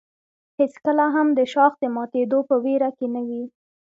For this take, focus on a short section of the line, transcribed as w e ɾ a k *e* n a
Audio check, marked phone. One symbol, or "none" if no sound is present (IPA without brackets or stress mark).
e